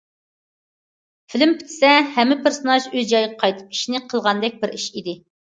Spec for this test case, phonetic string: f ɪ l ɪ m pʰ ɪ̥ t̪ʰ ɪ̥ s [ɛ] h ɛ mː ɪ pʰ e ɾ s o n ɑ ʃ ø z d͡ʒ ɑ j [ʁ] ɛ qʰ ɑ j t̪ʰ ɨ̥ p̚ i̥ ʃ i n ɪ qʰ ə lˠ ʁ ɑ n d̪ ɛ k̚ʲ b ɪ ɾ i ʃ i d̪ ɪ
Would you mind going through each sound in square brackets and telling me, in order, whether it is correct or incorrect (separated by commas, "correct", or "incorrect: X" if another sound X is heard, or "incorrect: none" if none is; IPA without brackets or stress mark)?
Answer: correct, correct